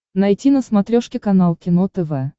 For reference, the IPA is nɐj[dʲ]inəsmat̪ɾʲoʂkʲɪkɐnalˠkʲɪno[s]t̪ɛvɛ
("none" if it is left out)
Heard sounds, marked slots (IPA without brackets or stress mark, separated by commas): tʲ, none